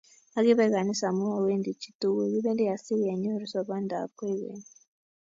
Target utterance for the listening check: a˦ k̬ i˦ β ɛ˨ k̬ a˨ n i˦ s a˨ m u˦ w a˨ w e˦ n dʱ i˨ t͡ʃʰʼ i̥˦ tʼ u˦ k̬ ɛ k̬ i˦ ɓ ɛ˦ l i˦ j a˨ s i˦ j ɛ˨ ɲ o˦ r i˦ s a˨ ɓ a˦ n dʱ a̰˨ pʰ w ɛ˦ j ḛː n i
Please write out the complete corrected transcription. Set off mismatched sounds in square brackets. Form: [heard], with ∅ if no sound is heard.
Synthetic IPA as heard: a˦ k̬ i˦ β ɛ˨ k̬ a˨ n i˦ s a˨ m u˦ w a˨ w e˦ n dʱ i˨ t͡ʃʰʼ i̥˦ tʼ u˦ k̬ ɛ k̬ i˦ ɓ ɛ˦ l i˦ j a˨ s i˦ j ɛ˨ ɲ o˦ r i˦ s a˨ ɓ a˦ n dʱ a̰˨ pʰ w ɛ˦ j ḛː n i